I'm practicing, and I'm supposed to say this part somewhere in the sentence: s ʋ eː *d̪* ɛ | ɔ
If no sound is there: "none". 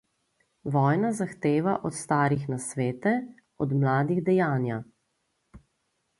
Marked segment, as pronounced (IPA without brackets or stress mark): t̪